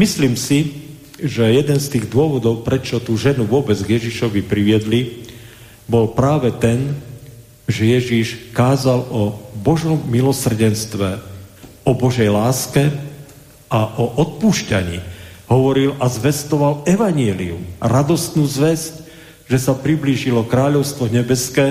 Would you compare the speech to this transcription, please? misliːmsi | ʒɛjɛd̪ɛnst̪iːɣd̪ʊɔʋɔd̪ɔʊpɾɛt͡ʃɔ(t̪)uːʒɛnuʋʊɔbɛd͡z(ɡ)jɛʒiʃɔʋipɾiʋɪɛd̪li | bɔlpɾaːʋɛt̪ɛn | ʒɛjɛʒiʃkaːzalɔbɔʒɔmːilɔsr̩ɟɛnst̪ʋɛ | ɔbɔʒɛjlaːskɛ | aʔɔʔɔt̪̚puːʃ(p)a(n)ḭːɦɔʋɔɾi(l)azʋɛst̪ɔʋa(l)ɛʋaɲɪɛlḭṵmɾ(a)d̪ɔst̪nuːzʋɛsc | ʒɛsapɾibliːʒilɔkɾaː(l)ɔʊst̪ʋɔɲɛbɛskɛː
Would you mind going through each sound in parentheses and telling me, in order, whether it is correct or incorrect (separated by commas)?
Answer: correct, correct, incorrect, incorrect, correct, correct, correct, incorrect